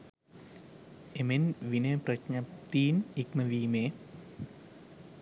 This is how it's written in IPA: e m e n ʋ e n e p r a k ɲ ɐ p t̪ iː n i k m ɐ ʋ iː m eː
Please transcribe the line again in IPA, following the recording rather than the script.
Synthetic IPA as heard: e m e n ʋ i n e p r ɐ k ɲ ɐ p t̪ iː n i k m ɐ ʋ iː m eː